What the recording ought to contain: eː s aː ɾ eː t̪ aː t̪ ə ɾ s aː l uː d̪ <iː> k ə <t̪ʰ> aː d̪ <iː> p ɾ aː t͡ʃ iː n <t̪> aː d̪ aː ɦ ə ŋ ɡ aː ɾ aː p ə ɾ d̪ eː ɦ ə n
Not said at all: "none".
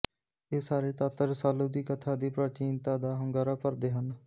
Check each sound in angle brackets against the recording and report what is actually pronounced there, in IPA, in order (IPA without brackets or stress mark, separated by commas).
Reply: iː, t̪ʰ, iː, t̪